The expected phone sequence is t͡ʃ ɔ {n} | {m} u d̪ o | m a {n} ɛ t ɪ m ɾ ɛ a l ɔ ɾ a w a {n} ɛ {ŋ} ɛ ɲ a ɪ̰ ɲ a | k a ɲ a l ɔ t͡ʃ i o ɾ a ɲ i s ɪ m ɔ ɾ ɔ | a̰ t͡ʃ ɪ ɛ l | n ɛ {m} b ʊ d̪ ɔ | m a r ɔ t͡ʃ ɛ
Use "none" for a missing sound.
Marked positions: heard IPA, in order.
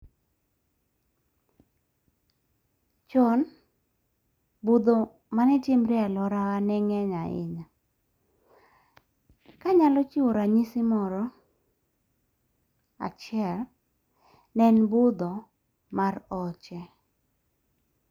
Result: n, b, n, n, ŋ, n

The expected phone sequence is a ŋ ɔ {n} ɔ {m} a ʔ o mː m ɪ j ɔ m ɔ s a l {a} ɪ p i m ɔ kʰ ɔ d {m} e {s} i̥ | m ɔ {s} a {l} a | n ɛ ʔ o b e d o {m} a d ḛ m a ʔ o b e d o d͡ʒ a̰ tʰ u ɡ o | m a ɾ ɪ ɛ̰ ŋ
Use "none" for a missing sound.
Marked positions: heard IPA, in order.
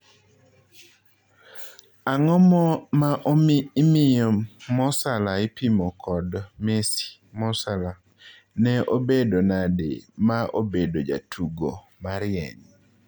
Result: m, m, a, m, s, s, l, n

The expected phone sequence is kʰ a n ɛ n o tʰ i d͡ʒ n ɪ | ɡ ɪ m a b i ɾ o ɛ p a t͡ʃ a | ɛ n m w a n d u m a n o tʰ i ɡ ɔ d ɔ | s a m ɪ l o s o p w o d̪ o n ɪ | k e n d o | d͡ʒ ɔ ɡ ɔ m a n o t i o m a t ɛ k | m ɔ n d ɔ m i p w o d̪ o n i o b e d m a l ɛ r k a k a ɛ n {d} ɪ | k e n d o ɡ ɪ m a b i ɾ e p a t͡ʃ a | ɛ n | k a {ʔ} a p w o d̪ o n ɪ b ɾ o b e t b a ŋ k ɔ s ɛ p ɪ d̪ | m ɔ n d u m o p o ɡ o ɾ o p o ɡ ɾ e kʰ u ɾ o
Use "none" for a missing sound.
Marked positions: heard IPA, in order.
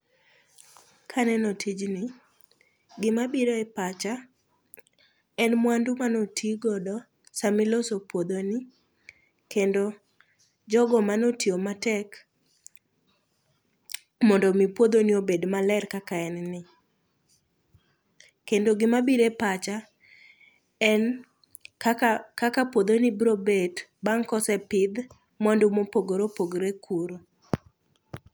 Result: n, k

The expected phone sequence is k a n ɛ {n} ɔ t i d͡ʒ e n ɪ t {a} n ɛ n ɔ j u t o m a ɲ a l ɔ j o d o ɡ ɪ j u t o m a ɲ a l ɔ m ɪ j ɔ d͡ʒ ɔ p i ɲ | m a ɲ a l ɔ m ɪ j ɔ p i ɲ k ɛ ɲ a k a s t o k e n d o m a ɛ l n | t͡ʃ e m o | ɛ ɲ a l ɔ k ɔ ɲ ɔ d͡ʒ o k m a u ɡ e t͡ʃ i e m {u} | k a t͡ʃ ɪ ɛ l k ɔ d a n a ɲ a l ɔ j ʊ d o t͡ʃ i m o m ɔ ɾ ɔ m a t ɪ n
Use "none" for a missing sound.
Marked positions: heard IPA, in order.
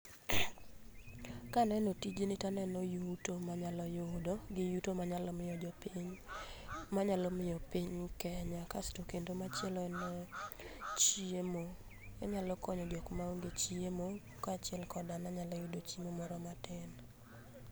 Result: n, a, o

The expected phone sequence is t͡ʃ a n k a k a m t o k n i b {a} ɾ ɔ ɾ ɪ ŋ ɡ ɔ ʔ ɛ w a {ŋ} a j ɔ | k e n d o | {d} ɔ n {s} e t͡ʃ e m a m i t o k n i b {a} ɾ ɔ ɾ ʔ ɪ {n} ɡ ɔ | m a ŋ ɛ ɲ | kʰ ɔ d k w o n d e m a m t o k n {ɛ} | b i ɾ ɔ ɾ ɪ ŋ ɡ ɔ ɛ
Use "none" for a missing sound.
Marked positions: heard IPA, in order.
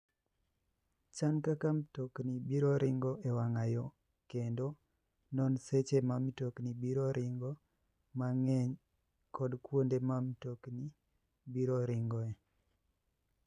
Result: i, ŋ, n, s, i, ŋ, i

